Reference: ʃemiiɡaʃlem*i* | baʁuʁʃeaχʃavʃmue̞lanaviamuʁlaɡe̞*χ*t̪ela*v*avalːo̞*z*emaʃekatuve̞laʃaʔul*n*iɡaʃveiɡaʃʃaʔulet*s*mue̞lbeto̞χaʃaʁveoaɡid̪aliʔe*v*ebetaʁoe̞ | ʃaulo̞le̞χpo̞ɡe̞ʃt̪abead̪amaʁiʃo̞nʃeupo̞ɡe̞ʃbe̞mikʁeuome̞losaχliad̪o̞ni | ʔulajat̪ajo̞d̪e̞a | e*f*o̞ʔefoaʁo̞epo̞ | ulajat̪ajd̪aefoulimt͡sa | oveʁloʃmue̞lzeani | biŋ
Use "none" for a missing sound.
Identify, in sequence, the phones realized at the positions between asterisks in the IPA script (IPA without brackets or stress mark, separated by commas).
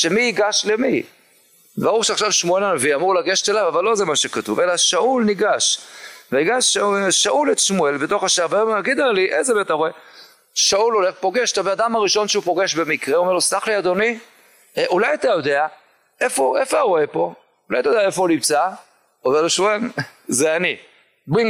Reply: i, ʃ, v, z, n, ʃ, z, f